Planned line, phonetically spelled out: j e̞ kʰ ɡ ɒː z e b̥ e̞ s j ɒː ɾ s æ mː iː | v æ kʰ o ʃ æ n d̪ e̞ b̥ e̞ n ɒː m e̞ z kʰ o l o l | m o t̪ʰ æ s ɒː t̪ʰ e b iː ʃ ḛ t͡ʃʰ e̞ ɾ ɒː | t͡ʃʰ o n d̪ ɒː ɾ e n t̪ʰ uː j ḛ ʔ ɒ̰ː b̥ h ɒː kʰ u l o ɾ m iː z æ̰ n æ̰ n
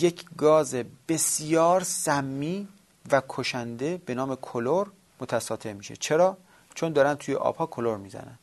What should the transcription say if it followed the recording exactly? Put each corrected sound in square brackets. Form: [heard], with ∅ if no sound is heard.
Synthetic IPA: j e̞ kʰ ɡ ɒː z e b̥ e̞ s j ɒː ɾ s æ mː iː | v æ kʰ o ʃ æ n d̪ e̞ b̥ e̞ n ɒː m e̞ [∅] kʰ o l o [ɾ] | m o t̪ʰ æ s ɒː t̪ʰ e [m] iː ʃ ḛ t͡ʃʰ e̞ ɾ ɒː | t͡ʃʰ o n d̪ ɒː ɾ [æ] n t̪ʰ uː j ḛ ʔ ɒ̰ː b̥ h ɒː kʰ [o] l o ɾ m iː z æ̰ n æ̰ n